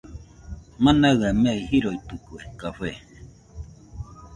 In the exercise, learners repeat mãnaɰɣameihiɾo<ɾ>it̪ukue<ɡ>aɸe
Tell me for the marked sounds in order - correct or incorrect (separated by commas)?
incorrect, incorrect